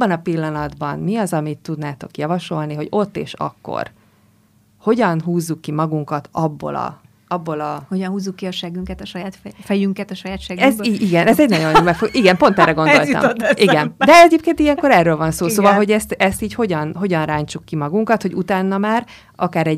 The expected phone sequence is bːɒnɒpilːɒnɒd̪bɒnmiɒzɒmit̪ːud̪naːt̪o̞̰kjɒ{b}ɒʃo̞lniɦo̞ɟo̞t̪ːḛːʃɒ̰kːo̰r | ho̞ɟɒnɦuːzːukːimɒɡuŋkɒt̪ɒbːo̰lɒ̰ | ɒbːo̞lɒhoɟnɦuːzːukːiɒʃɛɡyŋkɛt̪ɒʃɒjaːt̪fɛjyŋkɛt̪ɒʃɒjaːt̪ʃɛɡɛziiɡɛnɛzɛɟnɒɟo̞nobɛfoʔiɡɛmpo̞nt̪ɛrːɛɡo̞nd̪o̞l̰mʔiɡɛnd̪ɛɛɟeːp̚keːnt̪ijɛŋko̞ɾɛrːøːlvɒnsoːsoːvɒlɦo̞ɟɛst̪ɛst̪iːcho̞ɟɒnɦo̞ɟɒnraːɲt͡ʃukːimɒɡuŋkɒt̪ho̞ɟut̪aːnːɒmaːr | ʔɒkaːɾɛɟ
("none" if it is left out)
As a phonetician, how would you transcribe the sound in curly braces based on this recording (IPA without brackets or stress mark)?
v